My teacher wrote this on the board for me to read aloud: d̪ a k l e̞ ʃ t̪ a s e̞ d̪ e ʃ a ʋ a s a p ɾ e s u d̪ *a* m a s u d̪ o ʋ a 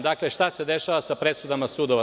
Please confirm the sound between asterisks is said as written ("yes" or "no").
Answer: yes